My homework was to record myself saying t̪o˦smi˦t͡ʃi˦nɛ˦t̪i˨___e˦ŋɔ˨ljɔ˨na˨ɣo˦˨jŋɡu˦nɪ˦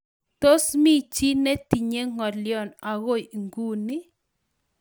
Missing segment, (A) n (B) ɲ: B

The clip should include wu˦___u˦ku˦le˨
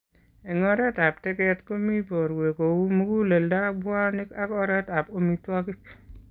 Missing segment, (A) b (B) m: B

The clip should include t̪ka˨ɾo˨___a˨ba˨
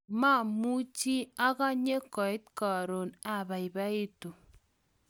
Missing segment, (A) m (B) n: B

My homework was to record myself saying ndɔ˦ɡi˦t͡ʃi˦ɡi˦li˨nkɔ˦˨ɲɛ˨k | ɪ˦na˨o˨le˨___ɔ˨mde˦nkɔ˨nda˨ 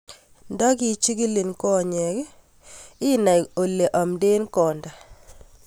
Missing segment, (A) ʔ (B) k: A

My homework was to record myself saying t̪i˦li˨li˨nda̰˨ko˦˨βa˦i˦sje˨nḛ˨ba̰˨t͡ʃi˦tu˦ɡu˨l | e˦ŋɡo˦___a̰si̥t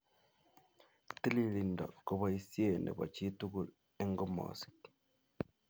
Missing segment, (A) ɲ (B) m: B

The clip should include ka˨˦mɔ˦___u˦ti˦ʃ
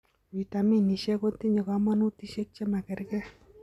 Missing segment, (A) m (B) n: B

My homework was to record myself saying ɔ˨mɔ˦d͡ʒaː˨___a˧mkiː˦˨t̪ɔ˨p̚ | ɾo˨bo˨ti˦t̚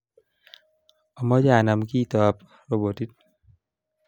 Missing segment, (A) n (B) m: A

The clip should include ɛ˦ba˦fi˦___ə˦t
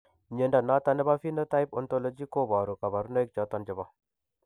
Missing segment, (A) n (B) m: A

